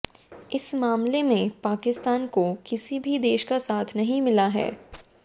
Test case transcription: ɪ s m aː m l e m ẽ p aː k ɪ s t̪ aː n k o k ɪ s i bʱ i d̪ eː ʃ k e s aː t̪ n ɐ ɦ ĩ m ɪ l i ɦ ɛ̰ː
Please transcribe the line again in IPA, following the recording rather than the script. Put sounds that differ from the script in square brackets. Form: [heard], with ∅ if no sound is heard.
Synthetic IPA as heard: ɪ s m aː m l e m ẽ p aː k ɪ s t̪ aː n k o k ɪ s i bʱ i d̪ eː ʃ k [a] s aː [t̪ʰ] n ɐ ɦ ĩ m ɪ l [a] ɦ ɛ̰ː